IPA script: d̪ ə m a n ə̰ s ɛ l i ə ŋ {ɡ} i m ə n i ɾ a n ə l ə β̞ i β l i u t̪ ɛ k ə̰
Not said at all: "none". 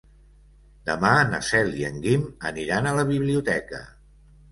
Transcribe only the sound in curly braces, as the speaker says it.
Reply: ɡ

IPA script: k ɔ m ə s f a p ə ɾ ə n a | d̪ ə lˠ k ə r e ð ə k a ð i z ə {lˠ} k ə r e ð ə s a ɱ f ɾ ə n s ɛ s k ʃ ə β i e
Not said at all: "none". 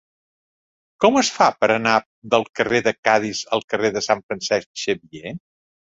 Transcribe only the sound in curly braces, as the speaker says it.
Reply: lˠ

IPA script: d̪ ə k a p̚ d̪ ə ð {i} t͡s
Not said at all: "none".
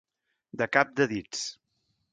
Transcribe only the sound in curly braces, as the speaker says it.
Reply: i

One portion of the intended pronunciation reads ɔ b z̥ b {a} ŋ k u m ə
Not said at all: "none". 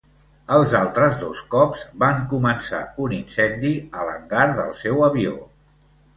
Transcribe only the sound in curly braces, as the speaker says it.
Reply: a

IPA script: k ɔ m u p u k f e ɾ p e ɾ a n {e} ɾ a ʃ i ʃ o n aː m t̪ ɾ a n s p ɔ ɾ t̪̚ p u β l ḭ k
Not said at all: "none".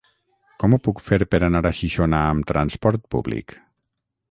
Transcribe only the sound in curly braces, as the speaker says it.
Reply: a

